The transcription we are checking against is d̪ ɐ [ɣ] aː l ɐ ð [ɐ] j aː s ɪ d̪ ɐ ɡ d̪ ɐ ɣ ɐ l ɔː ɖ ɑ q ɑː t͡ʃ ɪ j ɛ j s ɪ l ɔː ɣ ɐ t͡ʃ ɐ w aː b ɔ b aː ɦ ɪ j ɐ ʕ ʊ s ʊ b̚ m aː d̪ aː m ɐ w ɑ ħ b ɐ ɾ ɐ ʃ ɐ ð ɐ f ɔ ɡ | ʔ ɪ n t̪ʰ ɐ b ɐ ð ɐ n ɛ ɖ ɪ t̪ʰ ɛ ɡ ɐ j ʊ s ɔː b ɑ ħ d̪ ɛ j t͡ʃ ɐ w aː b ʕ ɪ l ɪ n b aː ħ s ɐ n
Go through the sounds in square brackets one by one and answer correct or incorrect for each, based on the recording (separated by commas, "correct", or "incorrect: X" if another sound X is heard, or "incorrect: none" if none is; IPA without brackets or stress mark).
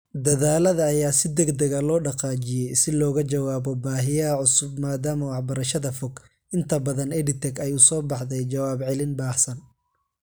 incorrect: ð, incorrect: ɐː